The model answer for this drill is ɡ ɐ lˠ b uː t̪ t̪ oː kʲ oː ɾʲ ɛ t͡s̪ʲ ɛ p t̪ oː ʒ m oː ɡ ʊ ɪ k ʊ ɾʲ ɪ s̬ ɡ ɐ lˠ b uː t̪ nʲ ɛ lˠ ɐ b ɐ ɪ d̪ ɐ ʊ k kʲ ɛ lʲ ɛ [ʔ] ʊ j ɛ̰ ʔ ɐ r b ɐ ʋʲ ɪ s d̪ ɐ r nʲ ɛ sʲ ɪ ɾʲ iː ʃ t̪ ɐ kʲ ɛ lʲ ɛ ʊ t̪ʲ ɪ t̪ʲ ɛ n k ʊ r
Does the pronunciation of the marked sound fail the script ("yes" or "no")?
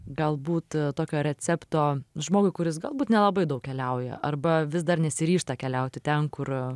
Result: yes